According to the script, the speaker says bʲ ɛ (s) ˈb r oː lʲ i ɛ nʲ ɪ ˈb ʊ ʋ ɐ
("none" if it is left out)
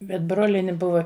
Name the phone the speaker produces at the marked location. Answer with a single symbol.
t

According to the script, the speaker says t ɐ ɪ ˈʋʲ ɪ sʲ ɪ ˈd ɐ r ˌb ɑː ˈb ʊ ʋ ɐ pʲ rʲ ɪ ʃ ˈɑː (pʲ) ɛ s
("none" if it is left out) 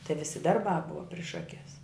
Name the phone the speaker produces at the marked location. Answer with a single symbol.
kʲ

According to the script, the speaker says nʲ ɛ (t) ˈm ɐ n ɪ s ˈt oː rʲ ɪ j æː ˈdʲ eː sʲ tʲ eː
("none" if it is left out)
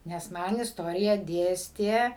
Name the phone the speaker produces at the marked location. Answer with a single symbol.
s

